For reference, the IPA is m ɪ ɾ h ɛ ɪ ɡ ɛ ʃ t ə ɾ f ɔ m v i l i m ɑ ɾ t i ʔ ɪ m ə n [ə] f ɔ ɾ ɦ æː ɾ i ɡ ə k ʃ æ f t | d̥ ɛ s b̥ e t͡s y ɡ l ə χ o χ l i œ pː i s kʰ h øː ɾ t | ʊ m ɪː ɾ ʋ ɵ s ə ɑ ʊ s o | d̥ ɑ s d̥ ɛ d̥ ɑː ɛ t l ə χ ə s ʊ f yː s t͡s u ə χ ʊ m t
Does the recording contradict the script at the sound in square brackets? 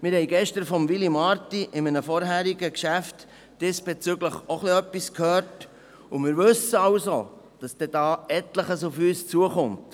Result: no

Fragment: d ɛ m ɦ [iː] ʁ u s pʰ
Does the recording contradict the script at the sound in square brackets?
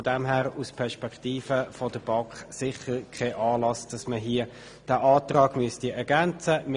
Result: yes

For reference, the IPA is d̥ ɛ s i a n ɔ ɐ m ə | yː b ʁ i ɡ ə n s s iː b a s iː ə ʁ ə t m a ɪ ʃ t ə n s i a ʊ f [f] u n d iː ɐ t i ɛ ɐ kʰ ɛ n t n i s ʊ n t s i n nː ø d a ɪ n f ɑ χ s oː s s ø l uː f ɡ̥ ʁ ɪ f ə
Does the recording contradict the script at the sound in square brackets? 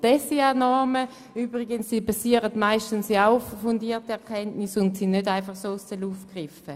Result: no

